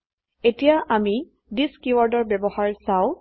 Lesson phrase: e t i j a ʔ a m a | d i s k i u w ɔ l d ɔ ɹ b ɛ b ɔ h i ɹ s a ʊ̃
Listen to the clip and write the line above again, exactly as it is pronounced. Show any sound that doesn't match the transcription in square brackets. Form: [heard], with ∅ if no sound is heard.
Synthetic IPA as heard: e t i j a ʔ a m [i] | d i s k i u w ɔ [ɹ] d ɔ ɹ b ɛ b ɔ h [a] ɹ s a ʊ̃

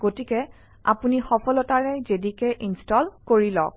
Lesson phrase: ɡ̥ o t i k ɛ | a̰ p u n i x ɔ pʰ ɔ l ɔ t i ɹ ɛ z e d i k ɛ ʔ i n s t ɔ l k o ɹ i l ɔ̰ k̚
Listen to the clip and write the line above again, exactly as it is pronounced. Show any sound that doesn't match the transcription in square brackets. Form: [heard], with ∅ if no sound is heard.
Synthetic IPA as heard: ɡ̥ o t i k ɛ | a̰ p u n i x ɔ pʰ ɔ l ɔ t [a] ɹ ɛ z e d i k ɛ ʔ i n s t ɔ l k o ɹ i l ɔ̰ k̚

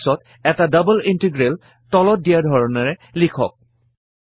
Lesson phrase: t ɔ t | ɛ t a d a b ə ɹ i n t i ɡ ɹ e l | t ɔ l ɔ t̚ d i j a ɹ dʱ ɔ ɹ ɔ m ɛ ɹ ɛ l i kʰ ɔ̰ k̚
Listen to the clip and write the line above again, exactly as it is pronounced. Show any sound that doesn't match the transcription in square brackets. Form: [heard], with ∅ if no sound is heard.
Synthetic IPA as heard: [s] ɔ t | ɛ t a d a b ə [l] i n t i ɡ ɹ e l | t ɔ l ɔ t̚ d i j a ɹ dʱ ɔ ɹ ɔ [n] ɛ ɹ ɛ l i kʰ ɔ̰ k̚

